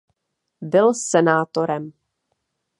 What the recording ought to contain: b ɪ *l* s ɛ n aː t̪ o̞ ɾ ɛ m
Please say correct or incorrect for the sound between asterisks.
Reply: correct